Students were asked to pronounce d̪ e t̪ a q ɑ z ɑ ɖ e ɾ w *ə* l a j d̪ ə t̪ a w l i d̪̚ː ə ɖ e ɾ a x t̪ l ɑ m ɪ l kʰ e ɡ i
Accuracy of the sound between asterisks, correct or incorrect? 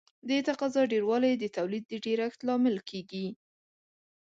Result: incorrect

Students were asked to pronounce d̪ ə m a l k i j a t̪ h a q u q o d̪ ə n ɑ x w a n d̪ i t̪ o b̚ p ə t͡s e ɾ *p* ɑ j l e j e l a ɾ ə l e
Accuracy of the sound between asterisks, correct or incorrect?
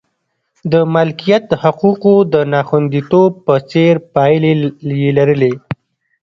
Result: correct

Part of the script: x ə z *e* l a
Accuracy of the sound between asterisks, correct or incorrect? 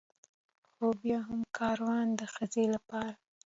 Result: correct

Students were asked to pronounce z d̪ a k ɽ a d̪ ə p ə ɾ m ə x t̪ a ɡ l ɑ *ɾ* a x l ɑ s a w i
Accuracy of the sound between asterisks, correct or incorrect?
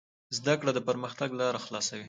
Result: correct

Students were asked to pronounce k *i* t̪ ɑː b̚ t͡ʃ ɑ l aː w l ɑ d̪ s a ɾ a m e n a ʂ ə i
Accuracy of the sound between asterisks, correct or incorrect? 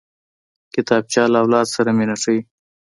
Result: incorrect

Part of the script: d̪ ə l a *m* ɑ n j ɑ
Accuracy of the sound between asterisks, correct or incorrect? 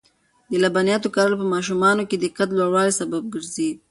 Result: incorrect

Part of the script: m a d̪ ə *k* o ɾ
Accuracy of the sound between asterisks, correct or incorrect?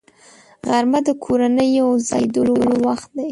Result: incorrect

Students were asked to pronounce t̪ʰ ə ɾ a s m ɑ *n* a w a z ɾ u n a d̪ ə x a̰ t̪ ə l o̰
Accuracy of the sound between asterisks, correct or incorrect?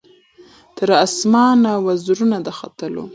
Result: correct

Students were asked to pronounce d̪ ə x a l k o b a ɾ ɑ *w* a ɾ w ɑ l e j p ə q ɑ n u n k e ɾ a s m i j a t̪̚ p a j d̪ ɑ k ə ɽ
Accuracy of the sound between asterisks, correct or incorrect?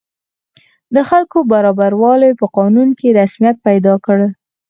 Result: incorrect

